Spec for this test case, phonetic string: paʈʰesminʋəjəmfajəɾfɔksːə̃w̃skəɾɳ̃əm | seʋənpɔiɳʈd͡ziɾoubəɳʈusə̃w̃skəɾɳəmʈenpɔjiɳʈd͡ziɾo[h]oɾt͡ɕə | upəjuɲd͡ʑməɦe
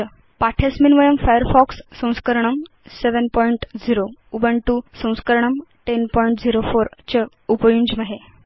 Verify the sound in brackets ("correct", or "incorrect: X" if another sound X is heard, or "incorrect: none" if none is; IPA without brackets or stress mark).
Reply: incorrect: f